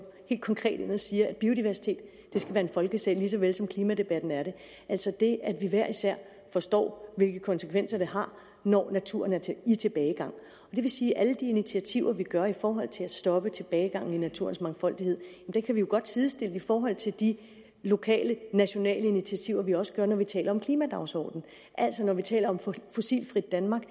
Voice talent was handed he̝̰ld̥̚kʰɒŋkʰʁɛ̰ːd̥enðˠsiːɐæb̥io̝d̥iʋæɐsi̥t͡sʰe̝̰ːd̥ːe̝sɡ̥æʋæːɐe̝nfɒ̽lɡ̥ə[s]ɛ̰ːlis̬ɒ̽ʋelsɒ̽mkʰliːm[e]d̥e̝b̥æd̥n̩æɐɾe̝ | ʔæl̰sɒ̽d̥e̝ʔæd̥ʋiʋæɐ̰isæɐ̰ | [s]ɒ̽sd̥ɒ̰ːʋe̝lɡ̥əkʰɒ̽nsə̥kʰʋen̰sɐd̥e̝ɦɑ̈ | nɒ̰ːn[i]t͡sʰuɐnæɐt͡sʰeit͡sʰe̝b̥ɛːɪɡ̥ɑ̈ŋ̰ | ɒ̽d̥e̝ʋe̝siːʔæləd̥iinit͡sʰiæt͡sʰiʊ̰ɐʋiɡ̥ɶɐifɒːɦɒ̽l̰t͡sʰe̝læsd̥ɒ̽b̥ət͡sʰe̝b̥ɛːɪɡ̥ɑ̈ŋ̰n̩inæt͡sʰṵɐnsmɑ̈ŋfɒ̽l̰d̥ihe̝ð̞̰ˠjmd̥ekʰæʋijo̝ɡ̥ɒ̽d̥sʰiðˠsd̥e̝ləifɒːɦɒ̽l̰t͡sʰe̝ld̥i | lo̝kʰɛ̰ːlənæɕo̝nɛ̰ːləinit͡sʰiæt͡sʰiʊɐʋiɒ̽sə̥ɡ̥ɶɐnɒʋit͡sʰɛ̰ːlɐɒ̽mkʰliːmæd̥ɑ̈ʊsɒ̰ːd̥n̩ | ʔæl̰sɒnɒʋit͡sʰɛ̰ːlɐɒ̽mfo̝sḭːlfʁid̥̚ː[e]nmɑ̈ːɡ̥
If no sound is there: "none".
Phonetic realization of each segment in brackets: s, æ, f, æ, æ

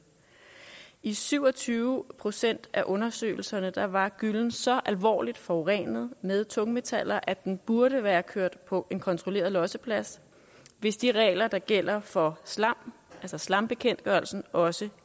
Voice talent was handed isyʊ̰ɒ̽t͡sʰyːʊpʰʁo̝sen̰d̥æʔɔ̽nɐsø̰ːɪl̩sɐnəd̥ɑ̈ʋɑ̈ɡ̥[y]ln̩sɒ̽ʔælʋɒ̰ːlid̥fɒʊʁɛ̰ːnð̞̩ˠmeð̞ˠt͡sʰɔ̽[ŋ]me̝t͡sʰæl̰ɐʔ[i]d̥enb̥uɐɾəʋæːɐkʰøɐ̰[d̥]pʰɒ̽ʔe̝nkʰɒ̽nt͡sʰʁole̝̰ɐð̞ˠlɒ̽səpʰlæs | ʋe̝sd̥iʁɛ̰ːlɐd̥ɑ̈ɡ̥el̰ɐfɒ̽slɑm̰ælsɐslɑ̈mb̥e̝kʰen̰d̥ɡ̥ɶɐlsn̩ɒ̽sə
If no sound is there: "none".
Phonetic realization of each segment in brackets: y, ŋ, æ, d̥

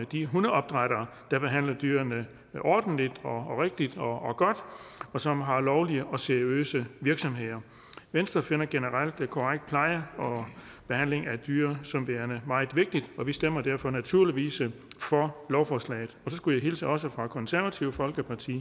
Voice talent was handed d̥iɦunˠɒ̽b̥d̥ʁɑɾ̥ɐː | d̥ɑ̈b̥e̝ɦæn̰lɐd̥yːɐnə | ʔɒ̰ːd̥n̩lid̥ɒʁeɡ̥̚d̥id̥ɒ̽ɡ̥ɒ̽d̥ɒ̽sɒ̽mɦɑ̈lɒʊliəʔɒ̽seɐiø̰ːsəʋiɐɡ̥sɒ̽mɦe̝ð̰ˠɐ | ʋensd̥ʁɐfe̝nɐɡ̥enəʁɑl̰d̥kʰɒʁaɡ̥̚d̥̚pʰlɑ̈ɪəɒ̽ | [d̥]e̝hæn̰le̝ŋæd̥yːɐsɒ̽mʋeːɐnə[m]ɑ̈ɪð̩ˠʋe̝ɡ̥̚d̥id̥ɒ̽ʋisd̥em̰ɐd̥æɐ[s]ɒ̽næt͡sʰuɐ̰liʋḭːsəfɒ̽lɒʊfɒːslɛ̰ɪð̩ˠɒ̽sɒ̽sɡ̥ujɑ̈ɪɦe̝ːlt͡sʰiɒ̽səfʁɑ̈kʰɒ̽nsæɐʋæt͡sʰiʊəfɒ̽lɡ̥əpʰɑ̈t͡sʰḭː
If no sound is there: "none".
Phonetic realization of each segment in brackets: b̥, m, f

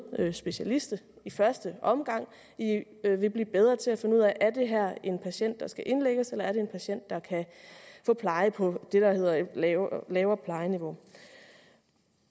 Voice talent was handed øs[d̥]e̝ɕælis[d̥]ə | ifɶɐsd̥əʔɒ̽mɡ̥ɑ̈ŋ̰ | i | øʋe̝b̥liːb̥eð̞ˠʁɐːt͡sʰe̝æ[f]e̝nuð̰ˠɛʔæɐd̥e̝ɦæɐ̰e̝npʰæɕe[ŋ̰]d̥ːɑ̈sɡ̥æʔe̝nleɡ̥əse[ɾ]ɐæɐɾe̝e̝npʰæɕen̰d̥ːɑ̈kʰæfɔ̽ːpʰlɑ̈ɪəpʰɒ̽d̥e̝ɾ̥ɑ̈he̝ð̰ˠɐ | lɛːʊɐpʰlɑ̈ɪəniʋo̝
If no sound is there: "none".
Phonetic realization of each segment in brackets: b̥, d̥, f, n̰, l

